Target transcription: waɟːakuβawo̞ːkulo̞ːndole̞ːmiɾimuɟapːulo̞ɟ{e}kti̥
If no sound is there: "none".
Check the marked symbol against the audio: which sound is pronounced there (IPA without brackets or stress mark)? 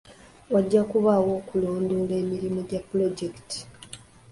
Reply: e